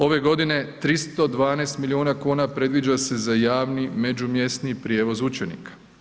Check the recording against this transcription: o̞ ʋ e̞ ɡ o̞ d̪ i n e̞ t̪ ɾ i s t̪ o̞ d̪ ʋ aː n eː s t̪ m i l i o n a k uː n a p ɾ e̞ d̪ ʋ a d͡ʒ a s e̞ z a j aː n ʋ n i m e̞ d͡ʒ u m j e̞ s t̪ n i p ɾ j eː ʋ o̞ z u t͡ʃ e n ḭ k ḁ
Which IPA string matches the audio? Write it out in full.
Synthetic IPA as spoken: o̞ ʋ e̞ ɡ o̞ d̪ i n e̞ t̪ ɾ i s t̪ o̞ d̪ ʋ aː n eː s t̪ m i l i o n a k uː n a p ɾ e̞ d̪ ʋ i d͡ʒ a s e̞ z a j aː ʋ n i m e̞ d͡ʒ u m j e̞ s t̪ n i p ɾ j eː ʋ o̞ z u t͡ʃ e n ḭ k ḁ